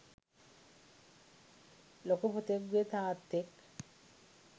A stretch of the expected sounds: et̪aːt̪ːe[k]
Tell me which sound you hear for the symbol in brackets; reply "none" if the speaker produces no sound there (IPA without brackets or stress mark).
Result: k